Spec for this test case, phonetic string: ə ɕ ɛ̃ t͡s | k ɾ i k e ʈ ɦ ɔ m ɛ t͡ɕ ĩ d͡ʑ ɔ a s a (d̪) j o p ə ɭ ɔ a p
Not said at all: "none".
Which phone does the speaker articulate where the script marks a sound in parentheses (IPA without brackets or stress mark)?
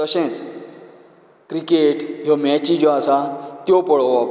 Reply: t̪